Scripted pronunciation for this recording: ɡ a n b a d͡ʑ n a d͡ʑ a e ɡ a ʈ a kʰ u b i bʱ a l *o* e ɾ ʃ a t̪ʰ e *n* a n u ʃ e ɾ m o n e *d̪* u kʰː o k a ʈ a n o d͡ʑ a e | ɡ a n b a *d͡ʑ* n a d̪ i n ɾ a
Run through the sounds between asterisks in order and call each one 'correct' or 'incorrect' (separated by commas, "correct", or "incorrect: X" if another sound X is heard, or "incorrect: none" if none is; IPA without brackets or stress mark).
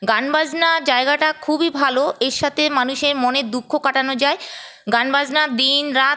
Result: correct, incorrect: m, correct, correct